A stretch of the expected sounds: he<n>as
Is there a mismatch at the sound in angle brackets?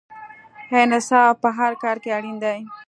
no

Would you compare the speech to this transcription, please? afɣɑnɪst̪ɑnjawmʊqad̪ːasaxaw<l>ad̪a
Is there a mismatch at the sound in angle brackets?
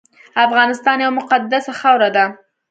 yes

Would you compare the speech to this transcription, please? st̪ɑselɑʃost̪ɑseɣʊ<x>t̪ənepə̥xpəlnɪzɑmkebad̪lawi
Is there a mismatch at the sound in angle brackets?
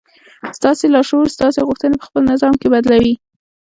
no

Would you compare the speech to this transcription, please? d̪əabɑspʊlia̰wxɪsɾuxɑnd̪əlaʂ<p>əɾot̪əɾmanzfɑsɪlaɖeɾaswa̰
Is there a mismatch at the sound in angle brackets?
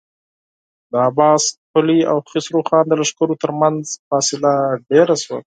yes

